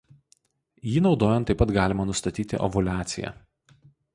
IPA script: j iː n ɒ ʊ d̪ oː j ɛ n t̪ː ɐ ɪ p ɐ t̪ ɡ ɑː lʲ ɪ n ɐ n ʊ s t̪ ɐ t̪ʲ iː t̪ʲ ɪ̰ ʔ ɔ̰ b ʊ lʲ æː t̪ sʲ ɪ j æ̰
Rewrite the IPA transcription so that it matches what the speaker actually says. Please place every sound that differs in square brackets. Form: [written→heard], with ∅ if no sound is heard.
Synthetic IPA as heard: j iː n ɒ ʊ d̪ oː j ɛ n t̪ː ɐ ɪ p ɐ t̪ ɡ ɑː lʲ ɪ [n→m] ɐ n ʊ s t̪ ɐ t̪ʲ iː t̪ʲ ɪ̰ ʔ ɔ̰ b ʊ lʲ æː t̪ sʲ ɪ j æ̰